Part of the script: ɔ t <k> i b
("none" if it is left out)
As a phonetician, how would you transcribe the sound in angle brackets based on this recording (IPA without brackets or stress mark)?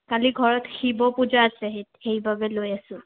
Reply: x